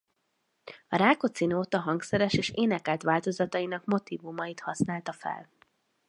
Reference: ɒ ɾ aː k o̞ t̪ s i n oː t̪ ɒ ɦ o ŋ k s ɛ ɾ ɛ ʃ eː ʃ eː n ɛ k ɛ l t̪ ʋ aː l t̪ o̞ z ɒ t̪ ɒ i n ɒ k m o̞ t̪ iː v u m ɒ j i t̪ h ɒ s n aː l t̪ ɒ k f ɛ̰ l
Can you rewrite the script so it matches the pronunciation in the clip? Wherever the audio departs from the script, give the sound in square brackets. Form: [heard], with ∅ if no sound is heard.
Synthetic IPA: ɒ ɾ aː k o̞ t̪ s i n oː t̪ ɒ ɦ [ɒ] ŋ k s ɛ ɾ ɛ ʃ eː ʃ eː n ɛ k ɛ l t̪ ʋ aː l t̪ o̞ z ɒ t̪ ɒ i n ɒ k m o̞ t̪ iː v u m ɒ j i t̪ h ɒ s n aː l t̪ ɒ [∅] f ɛ̰ l